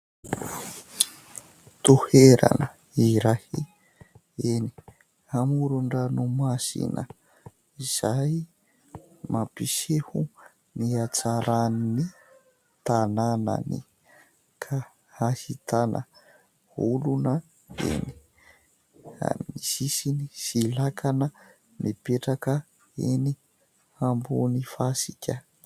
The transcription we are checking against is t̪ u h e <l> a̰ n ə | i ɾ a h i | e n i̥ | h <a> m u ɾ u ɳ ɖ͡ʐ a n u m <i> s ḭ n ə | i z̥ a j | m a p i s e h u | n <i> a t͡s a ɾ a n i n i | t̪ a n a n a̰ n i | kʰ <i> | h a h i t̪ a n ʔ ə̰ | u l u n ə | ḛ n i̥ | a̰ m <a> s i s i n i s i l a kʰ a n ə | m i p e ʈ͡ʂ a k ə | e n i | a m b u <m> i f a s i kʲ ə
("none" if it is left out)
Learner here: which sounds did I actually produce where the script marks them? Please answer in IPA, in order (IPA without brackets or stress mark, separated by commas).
ɾ, a, a, i, a, i, n